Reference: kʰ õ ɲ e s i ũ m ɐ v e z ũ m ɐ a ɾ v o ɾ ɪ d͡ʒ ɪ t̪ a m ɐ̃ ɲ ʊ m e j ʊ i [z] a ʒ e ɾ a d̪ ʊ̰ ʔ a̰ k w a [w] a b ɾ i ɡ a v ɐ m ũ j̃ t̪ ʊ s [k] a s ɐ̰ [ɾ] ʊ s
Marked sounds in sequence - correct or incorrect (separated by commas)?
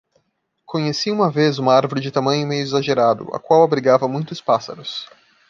correct, correct, incorrect, correct